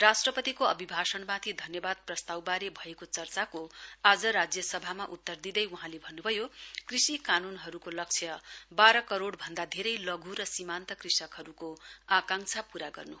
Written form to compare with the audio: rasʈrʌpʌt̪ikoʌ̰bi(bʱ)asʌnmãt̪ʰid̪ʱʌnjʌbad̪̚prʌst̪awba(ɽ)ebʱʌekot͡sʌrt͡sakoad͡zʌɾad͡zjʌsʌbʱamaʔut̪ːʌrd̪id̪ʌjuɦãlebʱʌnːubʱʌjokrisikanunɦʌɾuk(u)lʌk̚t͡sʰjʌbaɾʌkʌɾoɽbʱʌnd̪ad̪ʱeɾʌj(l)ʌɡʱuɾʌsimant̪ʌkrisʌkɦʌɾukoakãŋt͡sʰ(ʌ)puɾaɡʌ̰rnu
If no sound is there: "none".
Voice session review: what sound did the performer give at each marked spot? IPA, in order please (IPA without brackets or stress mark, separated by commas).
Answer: bʱ, ɾ, o, l, a